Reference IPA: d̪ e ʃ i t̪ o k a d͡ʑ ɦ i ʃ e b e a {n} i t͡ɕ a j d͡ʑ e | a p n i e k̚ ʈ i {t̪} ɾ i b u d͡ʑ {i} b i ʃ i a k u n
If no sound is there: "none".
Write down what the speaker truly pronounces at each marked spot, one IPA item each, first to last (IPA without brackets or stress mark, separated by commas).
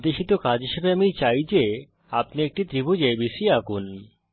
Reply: m, t̪, e